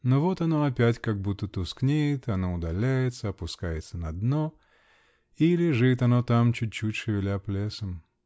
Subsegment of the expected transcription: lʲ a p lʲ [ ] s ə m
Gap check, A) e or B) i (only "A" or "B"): A